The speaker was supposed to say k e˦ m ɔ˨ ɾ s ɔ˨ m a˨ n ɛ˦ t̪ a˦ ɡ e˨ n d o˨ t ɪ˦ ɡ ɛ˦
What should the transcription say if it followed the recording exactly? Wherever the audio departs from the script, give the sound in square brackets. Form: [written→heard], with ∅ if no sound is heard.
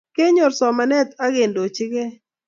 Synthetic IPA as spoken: k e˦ [m→ɲ] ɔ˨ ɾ s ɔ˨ m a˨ n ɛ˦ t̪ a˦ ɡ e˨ n d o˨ [t→t͡ʃ] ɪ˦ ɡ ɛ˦